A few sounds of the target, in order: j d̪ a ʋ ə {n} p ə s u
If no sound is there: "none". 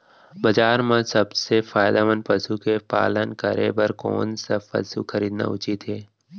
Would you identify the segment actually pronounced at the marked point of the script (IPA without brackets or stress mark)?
n